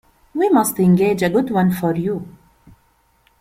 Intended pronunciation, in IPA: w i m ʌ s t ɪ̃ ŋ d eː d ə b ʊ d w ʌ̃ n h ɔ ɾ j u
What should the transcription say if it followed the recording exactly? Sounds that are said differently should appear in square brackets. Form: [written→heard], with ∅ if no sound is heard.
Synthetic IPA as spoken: w i m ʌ s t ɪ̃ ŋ [d→ɡ] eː [d→d͡ʒ] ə [b→ɡ] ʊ d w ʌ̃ n [h→f] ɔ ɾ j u